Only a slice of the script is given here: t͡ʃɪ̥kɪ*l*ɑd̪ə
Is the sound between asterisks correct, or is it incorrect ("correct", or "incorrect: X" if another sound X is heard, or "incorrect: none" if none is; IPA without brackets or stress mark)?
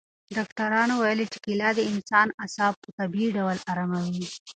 correct